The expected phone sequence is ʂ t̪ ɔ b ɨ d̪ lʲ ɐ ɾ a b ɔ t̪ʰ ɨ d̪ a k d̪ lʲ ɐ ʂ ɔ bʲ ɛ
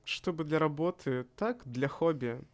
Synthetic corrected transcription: ʂ t̪ ɔ b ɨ d̪ lʲ ɐ ɾ a b ɔ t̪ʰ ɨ t̪ a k d̪ lʲ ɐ x ɔ bʲ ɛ